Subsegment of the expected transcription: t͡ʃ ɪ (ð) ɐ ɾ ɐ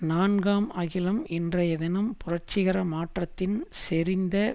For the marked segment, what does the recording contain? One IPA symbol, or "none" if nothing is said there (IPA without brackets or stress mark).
ɣ